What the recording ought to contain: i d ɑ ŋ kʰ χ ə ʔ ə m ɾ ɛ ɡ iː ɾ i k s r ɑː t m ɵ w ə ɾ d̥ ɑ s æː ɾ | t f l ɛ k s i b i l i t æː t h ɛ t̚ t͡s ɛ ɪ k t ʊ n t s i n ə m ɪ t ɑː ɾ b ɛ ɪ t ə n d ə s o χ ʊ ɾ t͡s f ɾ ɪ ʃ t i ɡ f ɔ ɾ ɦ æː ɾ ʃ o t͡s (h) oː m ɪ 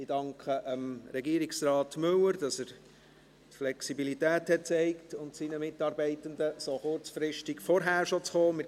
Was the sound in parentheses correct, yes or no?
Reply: no